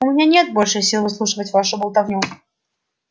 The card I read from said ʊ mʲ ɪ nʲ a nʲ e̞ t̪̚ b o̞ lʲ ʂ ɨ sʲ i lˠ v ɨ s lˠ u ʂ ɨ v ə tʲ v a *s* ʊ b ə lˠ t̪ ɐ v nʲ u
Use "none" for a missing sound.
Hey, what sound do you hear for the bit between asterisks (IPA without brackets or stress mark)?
ʂ